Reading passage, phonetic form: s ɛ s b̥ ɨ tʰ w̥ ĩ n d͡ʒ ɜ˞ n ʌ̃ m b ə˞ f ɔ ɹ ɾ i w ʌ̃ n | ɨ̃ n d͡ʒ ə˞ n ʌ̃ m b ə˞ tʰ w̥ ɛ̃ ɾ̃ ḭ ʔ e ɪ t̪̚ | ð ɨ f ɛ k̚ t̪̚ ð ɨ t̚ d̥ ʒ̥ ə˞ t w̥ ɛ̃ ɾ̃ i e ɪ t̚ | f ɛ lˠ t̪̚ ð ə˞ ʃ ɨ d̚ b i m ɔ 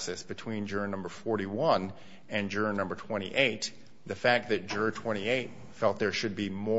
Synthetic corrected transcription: s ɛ s b̥ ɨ tʰ w̥ ĩ n d͡ʒ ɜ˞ n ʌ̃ m b ə˞ f ɔ ɹ ɾ i w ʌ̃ n | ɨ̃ n d͡ʒ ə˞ n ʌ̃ m b ə˞ tʰ w̥ ɛ̃ ɾ̃ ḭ ʔ e ɪ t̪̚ | ð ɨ f æ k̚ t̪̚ ð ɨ t̚ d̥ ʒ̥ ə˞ tʰ w̥ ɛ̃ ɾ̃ i e ɪ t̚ | f ɛ lˠ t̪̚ ð ə˞ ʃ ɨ d̚ b i m ɔ